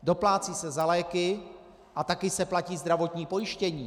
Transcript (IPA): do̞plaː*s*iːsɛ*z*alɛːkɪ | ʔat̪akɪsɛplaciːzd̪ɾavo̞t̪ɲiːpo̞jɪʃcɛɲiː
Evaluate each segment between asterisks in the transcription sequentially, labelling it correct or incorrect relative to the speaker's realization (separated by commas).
incorrect, correct